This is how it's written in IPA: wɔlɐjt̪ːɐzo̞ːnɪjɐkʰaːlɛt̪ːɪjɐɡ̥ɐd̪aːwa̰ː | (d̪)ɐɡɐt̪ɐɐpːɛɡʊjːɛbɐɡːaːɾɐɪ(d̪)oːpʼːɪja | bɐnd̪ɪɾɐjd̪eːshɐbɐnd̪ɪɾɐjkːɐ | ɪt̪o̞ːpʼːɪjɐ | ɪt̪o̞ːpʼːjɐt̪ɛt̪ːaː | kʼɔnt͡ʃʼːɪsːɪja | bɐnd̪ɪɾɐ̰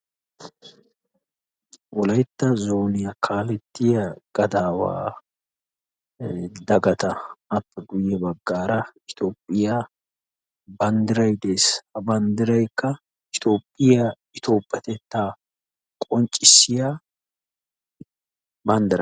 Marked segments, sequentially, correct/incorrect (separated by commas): correct, incorrect